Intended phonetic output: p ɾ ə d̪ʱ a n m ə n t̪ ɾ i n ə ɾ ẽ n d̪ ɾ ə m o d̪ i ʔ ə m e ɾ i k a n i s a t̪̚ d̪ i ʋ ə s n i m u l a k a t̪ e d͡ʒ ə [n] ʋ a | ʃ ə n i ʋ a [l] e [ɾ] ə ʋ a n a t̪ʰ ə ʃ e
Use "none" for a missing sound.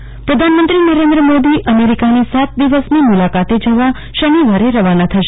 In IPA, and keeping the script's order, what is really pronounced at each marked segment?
none, ɾ, ɾ

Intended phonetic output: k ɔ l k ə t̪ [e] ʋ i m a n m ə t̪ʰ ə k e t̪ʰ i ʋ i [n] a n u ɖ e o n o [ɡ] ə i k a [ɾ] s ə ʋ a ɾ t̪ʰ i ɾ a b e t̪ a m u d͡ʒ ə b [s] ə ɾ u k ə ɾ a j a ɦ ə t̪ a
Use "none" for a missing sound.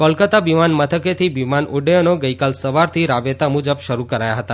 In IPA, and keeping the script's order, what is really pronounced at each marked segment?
a, m, ɡ, l, ʃ

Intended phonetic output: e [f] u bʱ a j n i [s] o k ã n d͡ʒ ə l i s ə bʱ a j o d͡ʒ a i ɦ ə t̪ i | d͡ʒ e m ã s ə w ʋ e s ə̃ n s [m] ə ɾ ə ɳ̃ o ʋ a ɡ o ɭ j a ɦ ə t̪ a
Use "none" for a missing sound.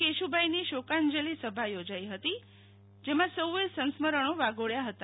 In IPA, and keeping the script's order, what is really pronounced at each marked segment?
ʃ, ʃ, m

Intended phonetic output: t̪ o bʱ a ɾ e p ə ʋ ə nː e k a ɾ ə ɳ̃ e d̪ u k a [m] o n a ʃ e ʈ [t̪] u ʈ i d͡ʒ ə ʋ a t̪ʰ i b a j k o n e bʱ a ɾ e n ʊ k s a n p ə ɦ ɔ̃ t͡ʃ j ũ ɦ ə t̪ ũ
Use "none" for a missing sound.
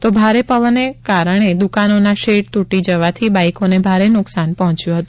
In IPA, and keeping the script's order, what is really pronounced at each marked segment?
n, t̪

